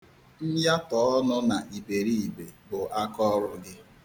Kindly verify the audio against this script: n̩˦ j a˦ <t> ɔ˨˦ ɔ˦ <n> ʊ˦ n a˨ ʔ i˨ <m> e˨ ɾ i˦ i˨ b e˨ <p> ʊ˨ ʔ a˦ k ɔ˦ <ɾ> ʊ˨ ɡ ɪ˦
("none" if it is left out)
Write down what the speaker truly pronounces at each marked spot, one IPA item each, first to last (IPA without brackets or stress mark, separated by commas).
t, n, b, b, ɾ